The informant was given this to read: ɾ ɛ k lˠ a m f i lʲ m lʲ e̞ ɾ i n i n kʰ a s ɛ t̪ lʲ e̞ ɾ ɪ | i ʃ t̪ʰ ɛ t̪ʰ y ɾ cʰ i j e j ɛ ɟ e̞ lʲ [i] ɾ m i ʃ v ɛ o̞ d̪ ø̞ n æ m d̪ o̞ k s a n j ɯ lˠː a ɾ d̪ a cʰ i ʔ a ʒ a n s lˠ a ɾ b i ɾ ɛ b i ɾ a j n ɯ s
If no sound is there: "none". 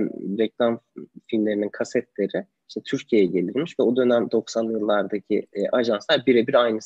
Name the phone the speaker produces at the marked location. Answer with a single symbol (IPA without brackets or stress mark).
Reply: i